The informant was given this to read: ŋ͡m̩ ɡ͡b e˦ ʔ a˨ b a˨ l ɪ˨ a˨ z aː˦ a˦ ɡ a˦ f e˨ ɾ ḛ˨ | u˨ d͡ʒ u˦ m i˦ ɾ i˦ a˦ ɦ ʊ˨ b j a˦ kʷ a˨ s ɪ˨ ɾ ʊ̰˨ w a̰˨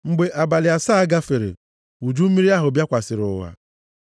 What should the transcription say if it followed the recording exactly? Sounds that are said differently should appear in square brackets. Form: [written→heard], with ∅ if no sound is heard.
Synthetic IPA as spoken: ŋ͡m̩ ɡ͡b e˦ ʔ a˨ b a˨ l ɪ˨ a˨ [z→s] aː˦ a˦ ɡ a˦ f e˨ ɾ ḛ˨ | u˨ d͡ʒ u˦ m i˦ ɾ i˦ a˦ ɦ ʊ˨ b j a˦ kʷ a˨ s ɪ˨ ɾ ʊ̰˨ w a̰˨